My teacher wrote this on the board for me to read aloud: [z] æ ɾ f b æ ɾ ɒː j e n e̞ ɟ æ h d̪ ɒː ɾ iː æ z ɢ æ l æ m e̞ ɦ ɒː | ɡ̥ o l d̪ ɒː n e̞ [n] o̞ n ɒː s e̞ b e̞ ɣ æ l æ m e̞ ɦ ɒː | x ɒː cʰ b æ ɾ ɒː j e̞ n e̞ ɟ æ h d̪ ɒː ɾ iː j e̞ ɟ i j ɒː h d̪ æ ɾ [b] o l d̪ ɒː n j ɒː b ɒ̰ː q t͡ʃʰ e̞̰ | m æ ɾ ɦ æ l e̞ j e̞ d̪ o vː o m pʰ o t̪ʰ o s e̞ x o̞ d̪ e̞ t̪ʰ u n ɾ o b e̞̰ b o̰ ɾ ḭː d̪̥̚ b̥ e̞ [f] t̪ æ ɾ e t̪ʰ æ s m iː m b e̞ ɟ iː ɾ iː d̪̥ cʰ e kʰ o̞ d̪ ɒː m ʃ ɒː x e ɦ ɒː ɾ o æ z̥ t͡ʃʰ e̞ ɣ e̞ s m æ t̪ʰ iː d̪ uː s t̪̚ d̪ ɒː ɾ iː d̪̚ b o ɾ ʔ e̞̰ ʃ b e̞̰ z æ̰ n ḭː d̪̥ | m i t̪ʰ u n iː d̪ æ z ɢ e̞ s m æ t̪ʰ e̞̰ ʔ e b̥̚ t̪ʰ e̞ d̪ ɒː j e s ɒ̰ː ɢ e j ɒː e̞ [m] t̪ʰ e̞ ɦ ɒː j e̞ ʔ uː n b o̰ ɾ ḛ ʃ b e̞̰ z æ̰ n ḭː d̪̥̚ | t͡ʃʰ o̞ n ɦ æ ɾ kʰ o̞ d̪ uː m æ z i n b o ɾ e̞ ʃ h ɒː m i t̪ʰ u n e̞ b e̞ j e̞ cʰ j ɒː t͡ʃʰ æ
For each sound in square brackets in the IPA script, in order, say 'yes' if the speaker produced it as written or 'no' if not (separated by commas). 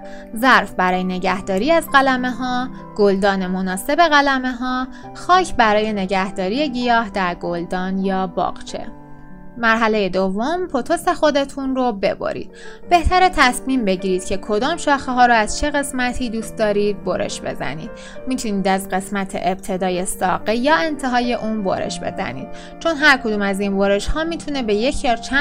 yes, no, no, no, no